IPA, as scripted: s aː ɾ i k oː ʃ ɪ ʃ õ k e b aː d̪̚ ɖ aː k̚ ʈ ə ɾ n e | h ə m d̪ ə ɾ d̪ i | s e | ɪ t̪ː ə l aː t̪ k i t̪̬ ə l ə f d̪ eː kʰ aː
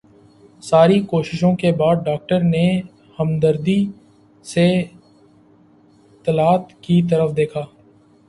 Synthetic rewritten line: s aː ɾ i k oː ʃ ɪ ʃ õ k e b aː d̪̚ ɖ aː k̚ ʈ ə ɾ n e | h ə m d̪ ə ɾ d̪ i | s e | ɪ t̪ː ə l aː t̪ k i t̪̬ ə ɾ ə f d̪ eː kʰ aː